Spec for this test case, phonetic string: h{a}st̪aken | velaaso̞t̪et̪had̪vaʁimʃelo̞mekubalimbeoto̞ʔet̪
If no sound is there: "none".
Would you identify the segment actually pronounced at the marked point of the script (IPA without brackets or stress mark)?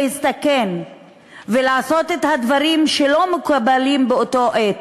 i